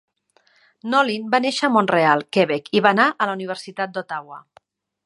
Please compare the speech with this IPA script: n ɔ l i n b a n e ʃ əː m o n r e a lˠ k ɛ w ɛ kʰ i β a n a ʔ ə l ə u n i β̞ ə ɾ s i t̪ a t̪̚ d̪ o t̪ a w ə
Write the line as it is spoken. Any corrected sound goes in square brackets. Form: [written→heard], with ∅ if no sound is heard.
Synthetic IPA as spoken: n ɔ l i n b a n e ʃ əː m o n r e a lˠ k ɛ [w→β] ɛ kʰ i β a n a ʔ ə l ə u n i β̞ ə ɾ s i t̪ a t̪̚ d̪ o t̪ a w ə